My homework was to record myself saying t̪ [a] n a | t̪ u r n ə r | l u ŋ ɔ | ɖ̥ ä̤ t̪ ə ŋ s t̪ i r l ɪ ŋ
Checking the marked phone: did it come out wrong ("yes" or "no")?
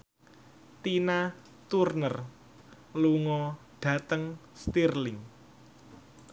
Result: yes